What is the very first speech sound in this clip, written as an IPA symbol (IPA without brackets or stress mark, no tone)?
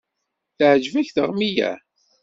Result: θ